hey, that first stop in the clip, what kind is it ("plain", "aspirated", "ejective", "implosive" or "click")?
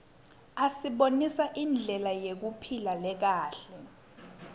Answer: implosive